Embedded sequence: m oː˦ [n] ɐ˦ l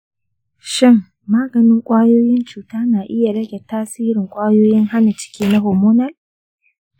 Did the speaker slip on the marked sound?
no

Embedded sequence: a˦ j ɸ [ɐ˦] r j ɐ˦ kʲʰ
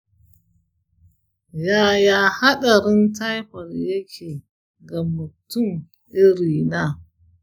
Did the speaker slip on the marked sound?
yes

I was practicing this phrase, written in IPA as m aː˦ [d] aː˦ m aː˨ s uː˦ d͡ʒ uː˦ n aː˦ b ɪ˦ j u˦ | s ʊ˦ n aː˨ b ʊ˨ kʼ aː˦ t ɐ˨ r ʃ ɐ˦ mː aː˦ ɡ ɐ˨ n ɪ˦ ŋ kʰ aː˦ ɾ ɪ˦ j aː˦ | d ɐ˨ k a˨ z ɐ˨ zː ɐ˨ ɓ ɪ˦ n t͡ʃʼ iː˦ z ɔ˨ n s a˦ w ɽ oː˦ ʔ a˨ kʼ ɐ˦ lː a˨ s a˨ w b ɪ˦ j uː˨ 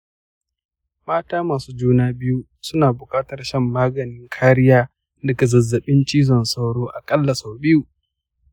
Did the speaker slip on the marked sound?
yes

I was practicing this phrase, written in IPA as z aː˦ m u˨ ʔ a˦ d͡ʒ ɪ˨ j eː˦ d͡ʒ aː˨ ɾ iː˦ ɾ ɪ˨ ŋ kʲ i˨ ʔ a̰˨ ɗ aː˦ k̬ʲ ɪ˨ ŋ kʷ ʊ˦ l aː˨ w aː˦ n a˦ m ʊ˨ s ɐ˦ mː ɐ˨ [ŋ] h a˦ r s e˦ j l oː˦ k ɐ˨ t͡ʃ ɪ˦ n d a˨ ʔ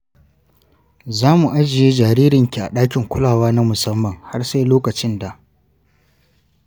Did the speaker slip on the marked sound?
no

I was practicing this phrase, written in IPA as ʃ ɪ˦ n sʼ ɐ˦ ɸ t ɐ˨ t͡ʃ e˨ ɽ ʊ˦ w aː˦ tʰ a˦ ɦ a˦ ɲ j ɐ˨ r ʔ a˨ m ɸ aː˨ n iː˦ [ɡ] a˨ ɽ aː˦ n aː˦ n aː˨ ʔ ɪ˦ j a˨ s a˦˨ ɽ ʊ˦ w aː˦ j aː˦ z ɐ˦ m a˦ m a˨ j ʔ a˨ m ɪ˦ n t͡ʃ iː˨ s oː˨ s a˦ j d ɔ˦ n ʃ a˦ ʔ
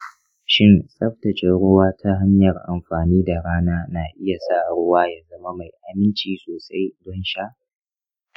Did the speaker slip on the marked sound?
yes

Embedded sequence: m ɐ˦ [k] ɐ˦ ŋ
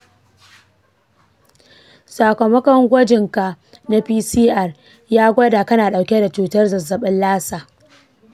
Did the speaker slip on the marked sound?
no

